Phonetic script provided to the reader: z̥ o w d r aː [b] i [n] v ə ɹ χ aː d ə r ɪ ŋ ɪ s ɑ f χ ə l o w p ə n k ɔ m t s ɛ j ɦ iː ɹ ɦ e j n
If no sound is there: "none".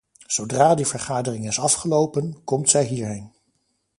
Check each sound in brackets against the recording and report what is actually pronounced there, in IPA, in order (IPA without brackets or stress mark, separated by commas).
d, none